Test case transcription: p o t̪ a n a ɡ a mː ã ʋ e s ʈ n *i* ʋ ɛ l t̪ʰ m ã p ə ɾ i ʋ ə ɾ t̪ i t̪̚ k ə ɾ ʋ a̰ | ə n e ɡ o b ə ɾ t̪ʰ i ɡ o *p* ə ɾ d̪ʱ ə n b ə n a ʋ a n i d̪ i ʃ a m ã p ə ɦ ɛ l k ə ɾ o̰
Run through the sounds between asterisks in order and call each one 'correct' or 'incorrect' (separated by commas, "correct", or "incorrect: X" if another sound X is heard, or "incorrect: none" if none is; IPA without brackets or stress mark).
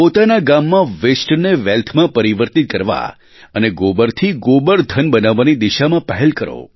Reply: incorrect: e, incorrect: b